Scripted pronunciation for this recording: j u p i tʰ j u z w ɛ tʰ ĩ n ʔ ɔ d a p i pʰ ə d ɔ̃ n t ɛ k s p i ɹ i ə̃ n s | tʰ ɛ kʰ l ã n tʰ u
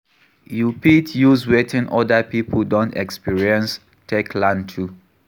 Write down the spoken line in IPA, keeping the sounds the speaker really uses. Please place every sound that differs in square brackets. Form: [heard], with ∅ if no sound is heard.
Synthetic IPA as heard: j u p i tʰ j u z w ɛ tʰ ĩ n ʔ ɔ d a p i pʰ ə d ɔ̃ n t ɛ k s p i ɹ i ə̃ n s | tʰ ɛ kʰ l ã n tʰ u